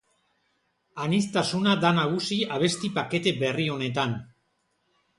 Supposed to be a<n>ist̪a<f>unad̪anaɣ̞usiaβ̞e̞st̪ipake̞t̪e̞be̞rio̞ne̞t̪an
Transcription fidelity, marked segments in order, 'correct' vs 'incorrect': correct, incorrect: s

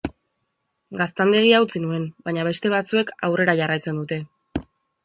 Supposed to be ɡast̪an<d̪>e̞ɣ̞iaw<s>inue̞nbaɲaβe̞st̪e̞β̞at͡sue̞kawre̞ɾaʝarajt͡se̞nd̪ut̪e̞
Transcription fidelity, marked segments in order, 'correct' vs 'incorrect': correct, incorrect: t͡s

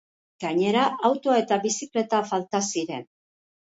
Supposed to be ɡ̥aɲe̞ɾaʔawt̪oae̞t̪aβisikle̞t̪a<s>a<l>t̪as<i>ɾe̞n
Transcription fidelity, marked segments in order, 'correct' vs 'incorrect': incorrect: f, correct, correct

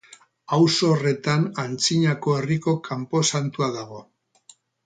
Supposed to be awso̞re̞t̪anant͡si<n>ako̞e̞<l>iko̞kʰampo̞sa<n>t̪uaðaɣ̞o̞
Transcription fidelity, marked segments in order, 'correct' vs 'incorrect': incorrect: ɲ, incorrect: r, correct

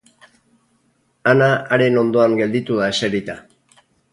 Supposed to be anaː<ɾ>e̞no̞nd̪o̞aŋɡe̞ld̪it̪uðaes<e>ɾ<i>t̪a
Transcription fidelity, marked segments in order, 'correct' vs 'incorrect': correct, correct, correct

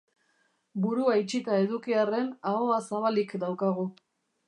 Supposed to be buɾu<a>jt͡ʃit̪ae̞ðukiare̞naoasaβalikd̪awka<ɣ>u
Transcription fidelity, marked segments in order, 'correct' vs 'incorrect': correct, correct

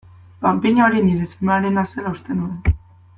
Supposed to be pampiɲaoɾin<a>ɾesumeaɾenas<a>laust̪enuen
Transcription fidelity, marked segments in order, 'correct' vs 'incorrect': incorrect: i, incorrect: e

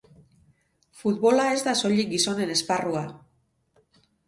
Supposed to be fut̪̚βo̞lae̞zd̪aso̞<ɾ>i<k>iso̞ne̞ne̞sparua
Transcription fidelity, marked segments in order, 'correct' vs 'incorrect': incorrect: ʎ, incorrect: ɡ

